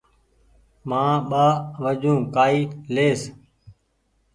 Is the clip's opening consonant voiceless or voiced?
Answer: voiced